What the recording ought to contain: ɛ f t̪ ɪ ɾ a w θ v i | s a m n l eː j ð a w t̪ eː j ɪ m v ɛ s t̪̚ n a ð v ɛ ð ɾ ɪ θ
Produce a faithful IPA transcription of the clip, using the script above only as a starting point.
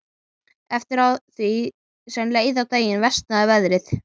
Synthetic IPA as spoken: ɛ f t̪ ɪ ɾ a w θ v i | s ɛ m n l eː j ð a w t̪ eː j ɪ n v ɛ s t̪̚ n a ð v ɛ ð ɾ ɪ θ